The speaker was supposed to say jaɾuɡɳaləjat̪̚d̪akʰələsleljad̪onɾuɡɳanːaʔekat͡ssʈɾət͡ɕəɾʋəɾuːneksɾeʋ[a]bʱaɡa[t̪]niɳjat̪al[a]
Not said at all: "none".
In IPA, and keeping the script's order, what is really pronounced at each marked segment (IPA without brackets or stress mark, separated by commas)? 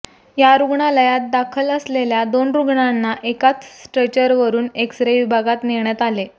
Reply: i, t̪, e